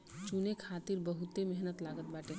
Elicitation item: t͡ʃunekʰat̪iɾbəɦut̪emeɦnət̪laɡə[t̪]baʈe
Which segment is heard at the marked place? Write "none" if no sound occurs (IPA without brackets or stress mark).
t̪